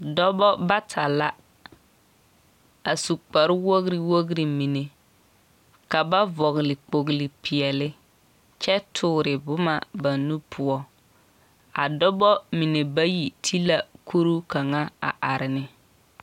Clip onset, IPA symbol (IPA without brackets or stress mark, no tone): d